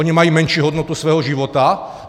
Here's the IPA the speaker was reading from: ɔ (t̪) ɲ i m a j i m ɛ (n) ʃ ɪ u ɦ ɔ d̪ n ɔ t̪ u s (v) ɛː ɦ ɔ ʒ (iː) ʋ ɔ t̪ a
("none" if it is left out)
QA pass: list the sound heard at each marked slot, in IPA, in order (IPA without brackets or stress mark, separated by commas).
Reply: none, n, ʋ, i